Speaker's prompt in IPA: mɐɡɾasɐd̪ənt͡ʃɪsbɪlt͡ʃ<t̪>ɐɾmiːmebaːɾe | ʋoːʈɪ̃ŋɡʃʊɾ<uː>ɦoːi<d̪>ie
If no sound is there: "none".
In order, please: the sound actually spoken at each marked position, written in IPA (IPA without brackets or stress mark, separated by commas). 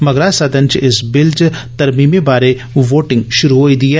t̪, u, d̪